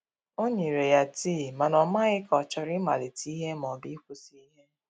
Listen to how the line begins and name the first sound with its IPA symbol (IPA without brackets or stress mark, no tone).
o